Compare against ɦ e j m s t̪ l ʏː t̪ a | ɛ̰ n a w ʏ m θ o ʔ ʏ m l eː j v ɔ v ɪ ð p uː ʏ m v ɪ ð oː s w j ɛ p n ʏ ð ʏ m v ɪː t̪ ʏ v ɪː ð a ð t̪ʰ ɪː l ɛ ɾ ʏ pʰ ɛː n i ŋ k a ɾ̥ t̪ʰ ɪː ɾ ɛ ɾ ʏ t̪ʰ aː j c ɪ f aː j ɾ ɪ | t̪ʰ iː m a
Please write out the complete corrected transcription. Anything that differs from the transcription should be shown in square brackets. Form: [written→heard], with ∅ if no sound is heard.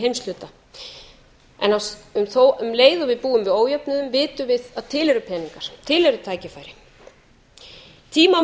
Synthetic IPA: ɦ e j m s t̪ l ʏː t̪ a | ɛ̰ n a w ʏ m θ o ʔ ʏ m l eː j [v→ð] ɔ v ɪ ð p uː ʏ m v ɪ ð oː [s→∅] w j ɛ p n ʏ ð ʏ m v ɪː t̪ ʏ v [ɪː→ɪ] ð a ð t̪ʰ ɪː l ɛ ɾ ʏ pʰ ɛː n i ŋ k a ɾ̥ t̪ʰ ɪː [ɾ→l] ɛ ɾ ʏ t̪ʰ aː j c ɪ f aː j ɾ ɪ | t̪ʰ iː m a